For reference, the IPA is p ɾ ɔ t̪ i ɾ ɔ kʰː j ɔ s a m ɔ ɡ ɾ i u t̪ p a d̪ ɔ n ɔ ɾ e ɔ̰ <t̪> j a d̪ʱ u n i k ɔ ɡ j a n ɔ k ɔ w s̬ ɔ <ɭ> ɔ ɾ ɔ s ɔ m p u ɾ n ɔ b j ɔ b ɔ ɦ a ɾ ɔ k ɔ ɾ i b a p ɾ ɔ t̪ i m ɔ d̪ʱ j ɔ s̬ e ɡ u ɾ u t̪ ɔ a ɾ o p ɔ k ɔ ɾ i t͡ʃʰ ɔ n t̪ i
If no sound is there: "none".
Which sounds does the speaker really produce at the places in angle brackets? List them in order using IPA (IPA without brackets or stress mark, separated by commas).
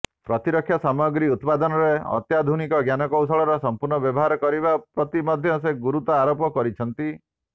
t̪, ɭ